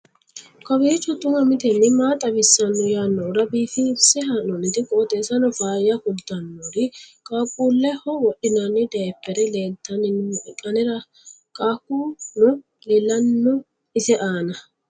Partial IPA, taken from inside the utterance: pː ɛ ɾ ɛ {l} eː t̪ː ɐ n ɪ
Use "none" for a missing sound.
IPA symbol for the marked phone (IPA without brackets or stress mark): l